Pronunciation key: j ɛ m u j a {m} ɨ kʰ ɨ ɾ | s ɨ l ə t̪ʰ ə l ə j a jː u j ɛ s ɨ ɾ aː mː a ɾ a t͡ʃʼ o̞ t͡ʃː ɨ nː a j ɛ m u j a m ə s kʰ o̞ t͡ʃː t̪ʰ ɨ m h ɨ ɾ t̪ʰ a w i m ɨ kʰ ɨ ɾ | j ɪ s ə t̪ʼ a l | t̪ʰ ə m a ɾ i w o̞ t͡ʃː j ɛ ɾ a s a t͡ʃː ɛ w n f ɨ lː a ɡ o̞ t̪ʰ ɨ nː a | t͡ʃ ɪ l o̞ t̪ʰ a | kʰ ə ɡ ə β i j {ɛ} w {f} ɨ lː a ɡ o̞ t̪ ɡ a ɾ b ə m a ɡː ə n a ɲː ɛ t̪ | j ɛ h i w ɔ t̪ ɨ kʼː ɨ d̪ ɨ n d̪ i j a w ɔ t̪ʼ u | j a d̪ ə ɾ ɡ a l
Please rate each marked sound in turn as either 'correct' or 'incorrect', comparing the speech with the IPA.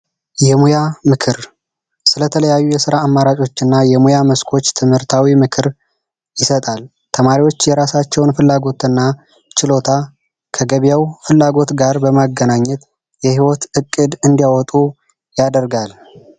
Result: correct, incorrect: a, correct

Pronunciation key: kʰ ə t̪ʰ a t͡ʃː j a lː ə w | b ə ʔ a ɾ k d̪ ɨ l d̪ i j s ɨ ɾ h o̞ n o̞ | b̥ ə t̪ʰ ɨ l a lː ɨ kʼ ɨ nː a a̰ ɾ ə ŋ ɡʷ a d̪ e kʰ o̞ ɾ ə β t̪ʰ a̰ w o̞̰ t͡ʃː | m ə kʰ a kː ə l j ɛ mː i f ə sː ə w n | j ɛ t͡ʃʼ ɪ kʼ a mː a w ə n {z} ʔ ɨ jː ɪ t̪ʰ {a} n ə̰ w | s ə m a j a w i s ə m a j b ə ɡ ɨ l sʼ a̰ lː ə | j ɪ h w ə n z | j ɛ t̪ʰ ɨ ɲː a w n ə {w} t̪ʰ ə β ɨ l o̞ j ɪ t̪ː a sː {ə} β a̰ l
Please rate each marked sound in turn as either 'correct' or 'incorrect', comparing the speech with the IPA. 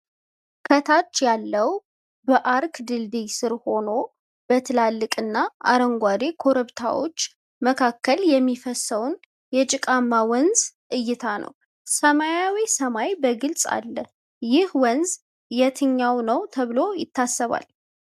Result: correct, correct, correct, correct

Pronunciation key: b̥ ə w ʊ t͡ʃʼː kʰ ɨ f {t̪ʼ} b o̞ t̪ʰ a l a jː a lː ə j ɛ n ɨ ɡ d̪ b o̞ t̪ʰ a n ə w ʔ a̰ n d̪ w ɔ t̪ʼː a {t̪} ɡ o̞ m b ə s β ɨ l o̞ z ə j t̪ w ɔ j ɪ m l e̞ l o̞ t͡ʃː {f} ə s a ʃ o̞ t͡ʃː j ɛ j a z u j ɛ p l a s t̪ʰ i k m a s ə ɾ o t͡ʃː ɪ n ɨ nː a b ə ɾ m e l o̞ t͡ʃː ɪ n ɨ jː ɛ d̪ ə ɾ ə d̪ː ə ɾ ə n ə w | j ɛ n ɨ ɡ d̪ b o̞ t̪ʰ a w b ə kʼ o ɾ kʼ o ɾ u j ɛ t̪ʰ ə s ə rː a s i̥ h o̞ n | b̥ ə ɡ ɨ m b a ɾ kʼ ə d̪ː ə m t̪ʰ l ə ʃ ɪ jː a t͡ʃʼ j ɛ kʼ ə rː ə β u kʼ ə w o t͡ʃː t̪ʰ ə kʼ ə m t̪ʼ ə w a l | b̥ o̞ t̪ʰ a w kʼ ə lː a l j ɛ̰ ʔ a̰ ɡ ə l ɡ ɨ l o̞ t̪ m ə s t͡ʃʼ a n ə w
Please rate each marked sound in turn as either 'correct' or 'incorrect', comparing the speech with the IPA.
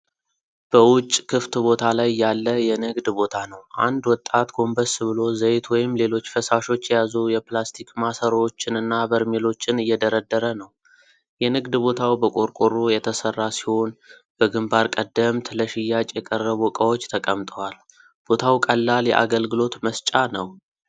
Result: incorrect: t̪, correct, correct

